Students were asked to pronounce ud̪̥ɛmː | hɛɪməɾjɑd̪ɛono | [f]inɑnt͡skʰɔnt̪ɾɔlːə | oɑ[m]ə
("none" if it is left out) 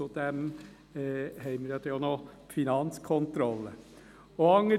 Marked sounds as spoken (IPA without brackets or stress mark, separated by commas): f, ŋ